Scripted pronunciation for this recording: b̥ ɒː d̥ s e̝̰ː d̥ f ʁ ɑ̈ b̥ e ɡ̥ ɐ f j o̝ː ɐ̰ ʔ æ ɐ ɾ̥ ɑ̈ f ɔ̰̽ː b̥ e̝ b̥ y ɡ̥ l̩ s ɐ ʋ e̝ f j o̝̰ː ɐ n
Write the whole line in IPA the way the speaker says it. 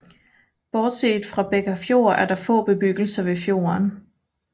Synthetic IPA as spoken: b̥ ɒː d̥ s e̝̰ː d̥ f ʁ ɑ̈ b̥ e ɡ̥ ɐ f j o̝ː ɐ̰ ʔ æ ɐ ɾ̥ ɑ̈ f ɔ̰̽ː b̥ e̝ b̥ y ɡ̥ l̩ s ɐ ʋ e̝ f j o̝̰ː ɐ n